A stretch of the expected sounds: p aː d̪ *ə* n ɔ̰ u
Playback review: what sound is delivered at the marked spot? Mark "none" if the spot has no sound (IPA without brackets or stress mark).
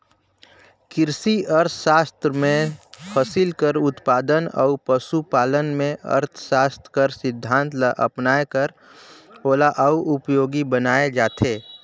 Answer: ə